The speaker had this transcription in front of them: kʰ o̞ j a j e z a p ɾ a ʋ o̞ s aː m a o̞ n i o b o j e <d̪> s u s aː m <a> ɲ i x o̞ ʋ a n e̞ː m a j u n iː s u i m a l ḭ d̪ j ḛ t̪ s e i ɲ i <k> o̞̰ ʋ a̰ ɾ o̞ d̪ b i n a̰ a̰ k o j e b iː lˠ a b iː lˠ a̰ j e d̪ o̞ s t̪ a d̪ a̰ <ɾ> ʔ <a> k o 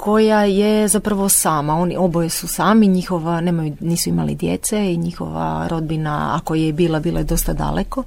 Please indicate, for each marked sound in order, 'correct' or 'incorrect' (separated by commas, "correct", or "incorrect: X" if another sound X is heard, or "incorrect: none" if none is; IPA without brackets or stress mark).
incorrect: none, incorrect: i, incorrect: x, incorrect: l, incorrect: e